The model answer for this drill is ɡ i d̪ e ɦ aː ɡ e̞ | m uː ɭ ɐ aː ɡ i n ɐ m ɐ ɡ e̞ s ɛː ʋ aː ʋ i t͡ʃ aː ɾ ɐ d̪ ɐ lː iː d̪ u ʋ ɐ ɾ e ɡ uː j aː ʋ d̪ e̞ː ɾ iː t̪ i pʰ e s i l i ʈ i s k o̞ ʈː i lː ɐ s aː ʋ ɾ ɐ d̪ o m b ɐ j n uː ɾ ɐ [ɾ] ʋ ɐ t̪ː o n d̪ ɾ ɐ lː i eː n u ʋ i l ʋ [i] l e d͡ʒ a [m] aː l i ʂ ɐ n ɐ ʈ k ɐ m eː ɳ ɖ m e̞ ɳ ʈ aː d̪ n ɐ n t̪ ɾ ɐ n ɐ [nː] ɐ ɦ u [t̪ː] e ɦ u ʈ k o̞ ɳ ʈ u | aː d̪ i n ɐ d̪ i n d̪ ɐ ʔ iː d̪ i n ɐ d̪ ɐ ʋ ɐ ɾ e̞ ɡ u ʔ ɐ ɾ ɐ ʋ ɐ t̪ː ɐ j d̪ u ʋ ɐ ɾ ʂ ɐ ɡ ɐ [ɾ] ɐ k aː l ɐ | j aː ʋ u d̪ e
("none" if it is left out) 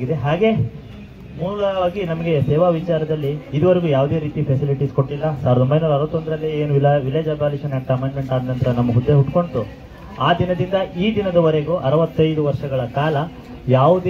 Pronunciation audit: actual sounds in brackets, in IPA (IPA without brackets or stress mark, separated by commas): ɾ, i, b, mː, d̪ː, ɭ